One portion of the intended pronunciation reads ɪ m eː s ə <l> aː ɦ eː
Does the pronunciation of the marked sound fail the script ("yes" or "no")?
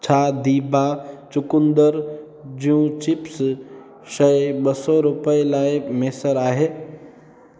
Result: yes